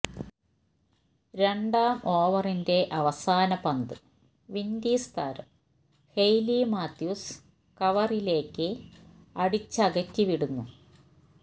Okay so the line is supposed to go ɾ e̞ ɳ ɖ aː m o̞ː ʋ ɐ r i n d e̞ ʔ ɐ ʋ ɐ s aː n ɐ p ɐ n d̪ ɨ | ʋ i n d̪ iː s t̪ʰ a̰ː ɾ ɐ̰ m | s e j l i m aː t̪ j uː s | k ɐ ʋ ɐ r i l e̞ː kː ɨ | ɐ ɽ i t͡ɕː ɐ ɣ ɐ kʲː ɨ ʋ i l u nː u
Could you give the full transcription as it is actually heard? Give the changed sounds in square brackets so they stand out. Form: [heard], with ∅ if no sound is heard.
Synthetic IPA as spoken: ɾ e̞ ɳ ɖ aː m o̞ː ʋ ɐ r i n d e̞ ʔ ɐ ʋ ɐ s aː n ɐ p ɐ n d̪ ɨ | ʋ i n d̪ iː s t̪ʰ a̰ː ɾ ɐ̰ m | [h] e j l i m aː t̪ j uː s | k ɐ ʋ ɐ r i l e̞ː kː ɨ | ɐ ɽ i t͡ɕː ɐ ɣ ɐ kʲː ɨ ʋ i [ɽ] u nː u